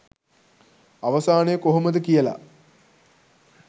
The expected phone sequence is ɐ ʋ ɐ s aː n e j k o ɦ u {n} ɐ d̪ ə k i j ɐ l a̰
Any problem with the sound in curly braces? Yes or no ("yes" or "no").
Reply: yes